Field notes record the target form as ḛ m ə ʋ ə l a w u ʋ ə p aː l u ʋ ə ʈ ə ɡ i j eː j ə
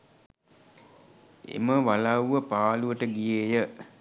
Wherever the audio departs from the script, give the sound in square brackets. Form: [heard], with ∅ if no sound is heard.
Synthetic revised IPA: ḛ m ə ʋ [a] l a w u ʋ ə p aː l u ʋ ə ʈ ə ɡ i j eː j ə